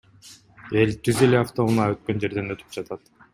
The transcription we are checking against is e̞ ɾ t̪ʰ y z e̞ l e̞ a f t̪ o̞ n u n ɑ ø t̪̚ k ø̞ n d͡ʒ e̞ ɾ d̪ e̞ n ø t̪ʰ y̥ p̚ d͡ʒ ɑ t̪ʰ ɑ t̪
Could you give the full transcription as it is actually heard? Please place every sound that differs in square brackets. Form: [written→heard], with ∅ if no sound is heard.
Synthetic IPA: e̞ [ɾ→l] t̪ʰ y z e̞ l e̞ a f t̪ o̞ [n→m] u n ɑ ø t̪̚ k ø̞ n d͡ʒ e̞ ɾ d̪ e̞ n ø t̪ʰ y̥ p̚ d͡ʒ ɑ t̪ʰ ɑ t̪